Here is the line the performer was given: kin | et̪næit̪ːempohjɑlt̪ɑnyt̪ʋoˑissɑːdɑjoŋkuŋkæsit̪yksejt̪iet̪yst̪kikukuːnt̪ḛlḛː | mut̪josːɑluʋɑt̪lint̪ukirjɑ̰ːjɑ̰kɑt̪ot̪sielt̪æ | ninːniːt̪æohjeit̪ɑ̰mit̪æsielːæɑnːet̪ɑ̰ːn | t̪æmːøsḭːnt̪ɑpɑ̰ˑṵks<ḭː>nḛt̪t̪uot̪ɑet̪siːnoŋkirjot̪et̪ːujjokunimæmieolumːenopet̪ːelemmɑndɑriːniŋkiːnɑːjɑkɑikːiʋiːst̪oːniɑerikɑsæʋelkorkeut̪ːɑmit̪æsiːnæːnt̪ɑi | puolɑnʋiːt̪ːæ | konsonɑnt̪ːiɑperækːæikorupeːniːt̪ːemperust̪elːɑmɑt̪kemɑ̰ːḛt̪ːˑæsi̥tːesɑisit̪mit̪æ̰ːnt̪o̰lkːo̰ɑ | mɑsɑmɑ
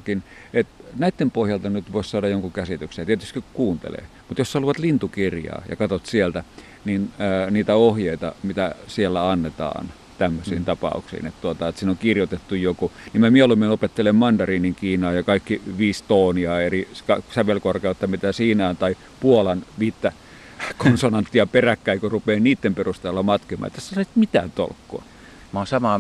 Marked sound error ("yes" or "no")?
no